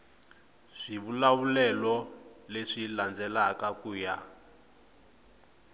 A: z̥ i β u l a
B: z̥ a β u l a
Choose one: A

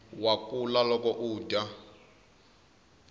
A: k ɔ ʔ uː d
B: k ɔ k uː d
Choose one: A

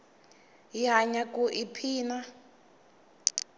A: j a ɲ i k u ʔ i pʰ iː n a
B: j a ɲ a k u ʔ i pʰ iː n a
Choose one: B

